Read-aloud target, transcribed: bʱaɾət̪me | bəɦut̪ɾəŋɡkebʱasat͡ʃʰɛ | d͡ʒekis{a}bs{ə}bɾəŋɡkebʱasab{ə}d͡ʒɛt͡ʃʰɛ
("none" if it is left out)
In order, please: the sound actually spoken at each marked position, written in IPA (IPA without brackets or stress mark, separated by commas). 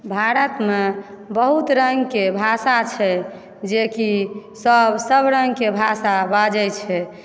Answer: ə, ə, a